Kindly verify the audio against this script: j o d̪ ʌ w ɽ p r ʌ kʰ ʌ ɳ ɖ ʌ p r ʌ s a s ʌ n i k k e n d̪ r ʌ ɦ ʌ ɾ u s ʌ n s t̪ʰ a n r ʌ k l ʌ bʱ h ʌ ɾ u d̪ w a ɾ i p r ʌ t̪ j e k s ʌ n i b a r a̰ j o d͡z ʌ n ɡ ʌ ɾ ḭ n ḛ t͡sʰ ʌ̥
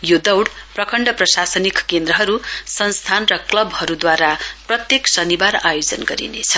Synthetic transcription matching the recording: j o d̪ ʌ w ɽ p r ʌ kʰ ʌ ɳ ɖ ʌ p r ʌ s a s ʌ n i k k e n d̪ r ʌ ɦ ʌ ɾ u s ʌ n s t̪ʰ a n r ʌ k l ʌ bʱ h ʌ ɾ u d̪ w a ɾ a p r ʌ t̪ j e k s ʌ n i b a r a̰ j o d͡z ʌ n ɡ ʌ ɾ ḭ n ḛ t͡sʰ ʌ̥